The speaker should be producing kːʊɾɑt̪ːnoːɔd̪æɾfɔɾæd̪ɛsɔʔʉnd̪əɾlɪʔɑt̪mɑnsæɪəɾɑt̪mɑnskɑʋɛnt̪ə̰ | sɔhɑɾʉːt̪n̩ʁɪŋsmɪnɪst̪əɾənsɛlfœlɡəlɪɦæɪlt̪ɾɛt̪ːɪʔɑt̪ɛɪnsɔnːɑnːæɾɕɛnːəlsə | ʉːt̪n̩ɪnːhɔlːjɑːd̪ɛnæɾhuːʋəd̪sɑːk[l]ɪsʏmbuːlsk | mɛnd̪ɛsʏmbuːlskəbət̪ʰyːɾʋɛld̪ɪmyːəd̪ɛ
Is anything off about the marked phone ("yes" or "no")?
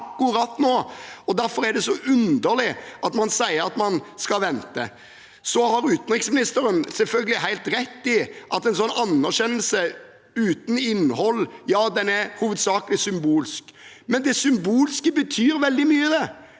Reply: no